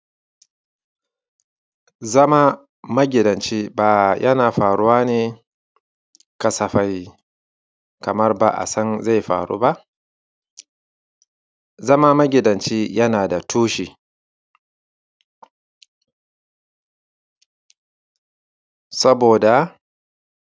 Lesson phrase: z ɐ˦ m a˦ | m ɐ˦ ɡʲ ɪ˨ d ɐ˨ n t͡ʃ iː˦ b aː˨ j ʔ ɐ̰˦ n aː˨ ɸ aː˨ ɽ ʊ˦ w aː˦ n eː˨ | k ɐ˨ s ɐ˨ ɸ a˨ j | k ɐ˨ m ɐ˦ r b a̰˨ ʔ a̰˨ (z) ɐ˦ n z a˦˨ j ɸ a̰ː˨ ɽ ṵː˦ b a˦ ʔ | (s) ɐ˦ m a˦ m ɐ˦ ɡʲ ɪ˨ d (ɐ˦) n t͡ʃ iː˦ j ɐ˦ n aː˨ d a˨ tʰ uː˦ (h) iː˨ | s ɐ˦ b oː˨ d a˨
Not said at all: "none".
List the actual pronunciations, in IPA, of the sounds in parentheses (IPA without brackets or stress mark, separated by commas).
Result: s, z, ɐ˨, ʃ